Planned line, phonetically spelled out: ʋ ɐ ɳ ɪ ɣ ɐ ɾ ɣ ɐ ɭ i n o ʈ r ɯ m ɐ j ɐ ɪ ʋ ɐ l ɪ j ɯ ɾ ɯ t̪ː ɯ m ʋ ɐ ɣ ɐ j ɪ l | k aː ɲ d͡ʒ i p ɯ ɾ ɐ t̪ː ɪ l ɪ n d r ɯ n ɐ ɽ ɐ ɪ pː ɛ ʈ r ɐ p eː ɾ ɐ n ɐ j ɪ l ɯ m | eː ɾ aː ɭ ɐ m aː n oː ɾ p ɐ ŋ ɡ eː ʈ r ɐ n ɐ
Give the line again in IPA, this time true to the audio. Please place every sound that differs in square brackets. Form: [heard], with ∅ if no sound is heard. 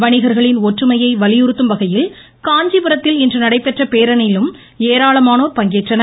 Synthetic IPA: ʋ ɐ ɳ ɪ ɣ ɐ ɾ ɣ ɐ ɭ [ɪ] n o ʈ r ɯ m ɐ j ɐ ɪ ʋ ɐ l ɪ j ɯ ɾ ɯ t̪ː ɯ m ʋ ɐ ɣ ɐ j ɪ l | k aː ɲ d͡ʒ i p ɯ ɾ ɐ t̪ː ɪ l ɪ n d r ɯ n ɐ ɽ ɐ ɪ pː ɛ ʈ r ɐ p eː ɾ ɐ n ɐ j ɪ l ɯ m | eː ɾ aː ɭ ɐ m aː n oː ɾ p ɐ ŋ ɡ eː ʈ r ɐ n ɐ